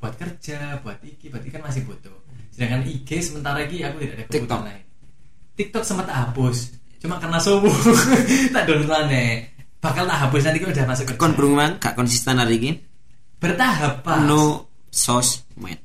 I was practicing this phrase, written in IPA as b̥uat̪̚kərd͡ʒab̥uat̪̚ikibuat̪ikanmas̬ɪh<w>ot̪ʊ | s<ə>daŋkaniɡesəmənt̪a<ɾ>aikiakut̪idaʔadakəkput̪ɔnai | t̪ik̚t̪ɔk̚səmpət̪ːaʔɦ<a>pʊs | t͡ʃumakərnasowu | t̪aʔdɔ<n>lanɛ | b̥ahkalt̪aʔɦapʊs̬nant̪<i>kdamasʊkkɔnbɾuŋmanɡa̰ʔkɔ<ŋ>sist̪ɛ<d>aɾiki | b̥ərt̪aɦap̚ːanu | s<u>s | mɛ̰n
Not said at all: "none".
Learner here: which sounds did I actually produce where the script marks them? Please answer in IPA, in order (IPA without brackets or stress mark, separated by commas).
b, ə, ɾ, a, n, i, n, n, ɔ